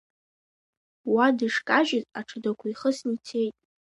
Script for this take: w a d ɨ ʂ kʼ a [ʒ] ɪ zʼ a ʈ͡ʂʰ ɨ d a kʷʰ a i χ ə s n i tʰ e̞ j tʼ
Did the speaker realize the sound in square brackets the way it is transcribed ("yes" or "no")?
yes